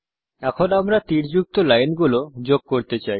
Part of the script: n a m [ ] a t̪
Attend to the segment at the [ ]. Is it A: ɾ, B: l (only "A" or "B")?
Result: A